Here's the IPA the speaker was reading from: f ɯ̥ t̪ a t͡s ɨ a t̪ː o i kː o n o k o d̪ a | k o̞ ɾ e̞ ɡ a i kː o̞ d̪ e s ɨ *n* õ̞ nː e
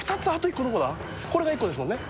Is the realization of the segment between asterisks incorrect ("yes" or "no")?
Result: yes